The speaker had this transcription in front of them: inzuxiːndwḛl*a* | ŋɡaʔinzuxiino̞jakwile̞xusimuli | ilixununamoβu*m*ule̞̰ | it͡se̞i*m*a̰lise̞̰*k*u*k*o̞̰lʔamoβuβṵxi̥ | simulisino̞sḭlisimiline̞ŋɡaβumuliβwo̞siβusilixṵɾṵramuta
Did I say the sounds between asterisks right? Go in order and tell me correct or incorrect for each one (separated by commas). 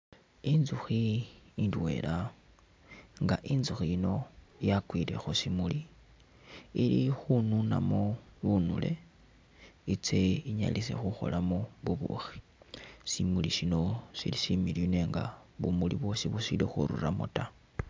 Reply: correct, incorrect, incorrect, incorrect, incorrect